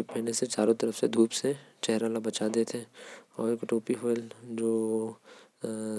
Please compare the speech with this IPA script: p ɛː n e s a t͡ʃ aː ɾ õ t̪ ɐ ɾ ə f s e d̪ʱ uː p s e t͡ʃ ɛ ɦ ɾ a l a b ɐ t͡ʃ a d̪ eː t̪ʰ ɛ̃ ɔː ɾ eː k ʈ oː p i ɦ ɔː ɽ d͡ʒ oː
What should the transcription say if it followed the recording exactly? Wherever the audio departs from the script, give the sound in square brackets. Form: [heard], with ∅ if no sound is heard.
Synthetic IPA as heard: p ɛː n e s [e] t͡ʃ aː ɾ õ t̪ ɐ ɾ ə f s e d̪ʱ uː p s e t͡ʃ ɛ ɦ ɾ a l a b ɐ t͡ʃ a d̪ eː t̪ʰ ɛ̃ ɔː ɾ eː k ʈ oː p i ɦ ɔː [l] d͡ʒ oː